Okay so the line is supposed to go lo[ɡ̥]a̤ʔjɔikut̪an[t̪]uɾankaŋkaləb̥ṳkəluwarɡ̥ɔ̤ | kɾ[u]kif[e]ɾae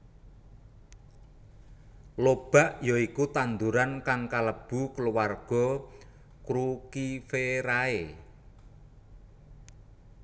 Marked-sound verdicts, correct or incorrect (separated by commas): incorrect, incorrect, correct, correct